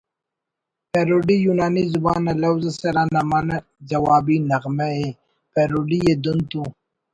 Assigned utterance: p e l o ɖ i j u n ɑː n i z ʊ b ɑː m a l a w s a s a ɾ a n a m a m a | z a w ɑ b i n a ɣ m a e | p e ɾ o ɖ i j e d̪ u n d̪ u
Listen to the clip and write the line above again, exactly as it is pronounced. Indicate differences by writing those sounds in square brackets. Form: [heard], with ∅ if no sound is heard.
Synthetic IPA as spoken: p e [ɾ] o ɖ i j u n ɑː n i z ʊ b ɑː [n] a l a w [z] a s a ɾ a n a m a [n] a | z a w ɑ b i n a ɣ m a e | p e ɾ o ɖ i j e d̪ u n [t̪] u